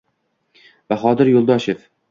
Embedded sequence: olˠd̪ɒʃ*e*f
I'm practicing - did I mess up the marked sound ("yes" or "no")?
no